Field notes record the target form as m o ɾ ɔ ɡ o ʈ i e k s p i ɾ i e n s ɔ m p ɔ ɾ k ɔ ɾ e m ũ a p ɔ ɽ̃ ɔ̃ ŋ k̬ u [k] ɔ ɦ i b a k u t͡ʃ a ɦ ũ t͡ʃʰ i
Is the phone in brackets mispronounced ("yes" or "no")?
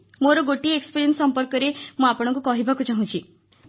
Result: no